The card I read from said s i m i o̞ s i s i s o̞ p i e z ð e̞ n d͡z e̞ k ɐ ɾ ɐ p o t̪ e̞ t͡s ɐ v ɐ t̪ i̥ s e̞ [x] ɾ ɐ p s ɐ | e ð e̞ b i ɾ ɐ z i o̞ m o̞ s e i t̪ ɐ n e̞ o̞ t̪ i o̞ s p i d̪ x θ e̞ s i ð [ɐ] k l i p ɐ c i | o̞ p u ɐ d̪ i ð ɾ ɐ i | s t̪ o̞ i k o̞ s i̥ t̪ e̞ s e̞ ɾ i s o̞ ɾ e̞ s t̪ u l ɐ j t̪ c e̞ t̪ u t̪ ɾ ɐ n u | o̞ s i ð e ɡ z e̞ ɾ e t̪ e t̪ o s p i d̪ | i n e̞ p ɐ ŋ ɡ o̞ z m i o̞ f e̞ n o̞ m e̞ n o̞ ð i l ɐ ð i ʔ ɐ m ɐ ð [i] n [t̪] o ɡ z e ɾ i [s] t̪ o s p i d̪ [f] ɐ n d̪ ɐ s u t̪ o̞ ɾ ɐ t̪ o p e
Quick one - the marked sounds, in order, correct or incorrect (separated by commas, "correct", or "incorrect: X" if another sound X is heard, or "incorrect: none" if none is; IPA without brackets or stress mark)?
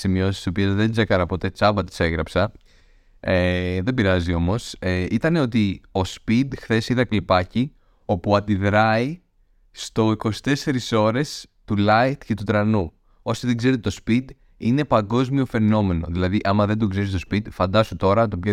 incorrect: ɣ, correct, incorrect: e, incorrect: d̪, correct, correct